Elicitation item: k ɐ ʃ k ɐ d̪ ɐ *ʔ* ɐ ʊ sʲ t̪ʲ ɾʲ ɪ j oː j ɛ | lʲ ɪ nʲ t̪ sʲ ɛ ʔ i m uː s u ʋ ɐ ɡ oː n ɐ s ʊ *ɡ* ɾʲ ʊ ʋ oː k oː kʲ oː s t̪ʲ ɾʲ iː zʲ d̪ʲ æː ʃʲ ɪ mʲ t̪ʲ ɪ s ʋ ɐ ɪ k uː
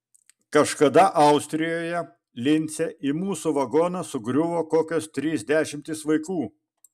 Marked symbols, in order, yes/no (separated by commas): yes, yes